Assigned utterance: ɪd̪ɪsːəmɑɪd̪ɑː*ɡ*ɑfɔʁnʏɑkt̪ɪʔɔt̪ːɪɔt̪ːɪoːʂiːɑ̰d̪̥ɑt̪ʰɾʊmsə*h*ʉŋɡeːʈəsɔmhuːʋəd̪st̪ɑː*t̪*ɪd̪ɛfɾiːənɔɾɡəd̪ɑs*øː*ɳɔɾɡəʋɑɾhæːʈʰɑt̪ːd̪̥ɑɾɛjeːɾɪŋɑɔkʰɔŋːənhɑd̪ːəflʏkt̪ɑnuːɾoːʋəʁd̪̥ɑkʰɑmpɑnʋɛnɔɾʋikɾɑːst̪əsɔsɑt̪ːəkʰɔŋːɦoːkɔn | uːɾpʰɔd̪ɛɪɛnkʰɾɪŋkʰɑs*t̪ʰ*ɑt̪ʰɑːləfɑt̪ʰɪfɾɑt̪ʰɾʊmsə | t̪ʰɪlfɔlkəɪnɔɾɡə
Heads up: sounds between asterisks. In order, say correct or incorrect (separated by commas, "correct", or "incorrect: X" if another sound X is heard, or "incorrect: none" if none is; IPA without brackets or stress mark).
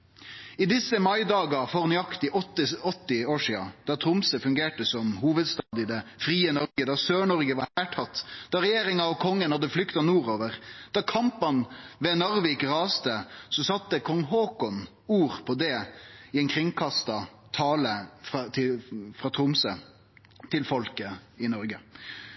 correct, incorrect: f, incorrect: d̪, correct, incorrect: t̪